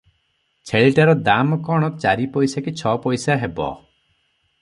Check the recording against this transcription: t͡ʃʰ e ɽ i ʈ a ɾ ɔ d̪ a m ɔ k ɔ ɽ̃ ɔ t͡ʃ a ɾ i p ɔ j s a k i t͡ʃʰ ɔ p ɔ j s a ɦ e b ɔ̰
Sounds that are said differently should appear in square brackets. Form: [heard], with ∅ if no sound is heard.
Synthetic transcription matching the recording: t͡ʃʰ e [ɭ] i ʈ a ɾ ɔ d̪ a m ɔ k ɔ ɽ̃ ɔ t͡ʃ a ɾ i p ɔ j s a k i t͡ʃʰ ɔ p ɔ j s a ɦ e b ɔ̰